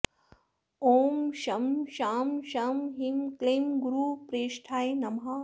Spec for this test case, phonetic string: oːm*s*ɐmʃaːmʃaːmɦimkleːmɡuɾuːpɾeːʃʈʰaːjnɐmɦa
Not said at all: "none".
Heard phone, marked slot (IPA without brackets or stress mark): ʃ